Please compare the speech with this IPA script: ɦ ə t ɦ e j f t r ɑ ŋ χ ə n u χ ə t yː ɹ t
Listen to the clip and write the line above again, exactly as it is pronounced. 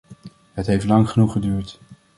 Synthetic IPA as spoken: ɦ ə t ɦ e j f t l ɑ ŋ χ ə n u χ ə d yː ɹ t